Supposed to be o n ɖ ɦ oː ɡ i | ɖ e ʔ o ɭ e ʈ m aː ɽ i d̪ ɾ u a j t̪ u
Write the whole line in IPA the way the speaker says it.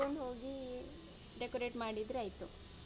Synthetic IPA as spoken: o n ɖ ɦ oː ɡ i | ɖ e k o ɾ e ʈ m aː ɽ i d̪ ɾ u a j t̪ u